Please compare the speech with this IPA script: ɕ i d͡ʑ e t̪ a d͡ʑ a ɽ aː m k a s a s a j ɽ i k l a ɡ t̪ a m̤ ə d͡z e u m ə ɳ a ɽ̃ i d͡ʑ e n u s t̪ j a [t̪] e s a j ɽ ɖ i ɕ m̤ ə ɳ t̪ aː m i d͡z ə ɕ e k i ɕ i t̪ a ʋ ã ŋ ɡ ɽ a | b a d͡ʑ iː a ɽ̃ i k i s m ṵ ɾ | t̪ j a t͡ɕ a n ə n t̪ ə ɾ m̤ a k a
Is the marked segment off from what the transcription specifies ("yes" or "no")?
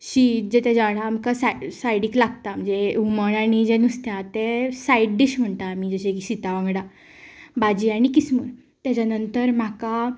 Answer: no